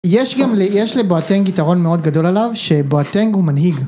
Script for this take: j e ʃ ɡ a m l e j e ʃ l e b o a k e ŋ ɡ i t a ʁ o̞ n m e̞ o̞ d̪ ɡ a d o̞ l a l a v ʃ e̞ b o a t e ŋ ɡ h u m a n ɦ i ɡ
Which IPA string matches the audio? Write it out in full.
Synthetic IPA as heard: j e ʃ ɡ a m l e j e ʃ l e b o a t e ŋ ɡ i t a ʁ o̞ n m e̞ o̞ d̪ ɡ a d o̞ l a l a v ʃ e̞ b o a t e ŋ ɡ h u m a n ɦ i ɡ